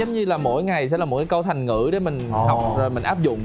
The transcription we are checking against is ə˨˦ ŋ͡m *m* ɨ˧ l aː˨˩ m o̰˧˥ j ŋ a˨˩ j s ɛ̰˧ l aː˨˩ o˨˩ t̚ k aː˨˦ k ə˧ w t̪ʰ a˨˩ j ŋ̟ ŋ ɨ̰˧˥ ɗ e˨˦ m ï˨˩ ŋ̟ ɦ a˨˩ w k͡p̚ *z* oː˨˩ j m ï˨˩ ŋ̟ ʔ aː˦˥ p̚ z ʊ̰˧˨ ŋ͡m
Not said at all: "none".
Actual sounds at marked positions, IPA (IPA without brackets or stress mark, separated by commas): ɲ, z